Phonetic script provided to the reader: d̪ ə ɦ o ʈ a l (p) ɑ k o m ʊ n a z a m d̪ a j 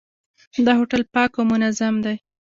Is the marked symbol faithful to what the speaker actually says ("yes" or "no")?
yes